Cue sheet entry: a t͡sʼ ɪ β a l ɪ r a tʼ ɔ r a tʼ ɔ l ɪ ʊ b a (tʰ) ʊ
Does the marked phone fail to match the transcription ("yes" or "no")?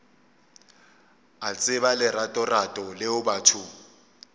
no